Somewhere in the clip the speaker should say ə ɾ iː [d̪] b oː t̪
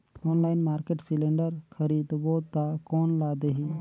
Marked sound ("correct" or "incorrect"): correct